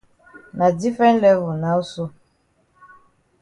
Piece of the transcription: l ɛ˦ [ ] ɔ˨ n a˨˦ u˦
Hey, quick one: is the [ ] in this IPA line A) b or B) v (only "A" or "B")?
B